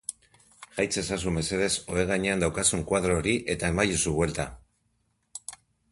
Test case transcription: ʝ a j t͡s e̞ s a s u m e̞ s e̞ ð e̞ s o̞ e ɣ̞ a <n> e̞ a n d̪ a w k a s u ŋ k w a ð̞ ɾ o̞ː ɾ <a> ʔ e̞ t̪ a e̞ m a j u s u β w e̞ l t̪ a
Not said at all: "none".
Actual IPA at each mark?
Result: ɲ, i

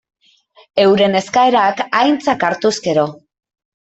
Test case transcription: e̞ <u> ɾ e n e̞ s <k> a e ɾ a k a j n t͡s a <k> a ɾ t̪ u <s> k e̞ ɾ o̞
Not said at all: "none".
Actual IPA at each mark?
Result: w, k, k, s

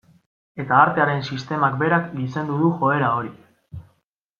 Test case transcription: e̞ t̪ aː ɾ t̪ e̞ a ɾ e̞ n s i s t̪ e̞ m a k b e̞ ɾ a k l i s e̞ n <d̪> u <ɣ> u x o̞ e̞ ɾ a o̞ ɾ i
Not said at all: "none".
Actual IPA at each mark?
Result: d̪, ð

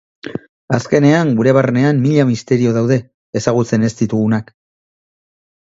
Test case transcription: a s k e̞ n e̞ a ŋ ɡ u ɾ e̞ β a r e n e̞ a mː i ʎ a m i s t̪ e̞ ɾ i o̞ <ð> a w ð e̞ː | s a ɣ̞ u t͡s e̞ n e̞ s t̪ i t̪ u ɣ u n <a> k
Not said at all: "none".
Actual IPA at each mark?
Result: ð, a

